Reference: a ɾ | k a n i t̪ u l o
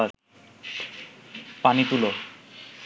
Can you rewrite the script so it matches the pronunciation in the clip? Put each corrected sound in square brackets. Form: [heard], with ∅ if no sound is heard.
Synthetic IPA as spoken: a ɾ | [p] a n i t̪ u l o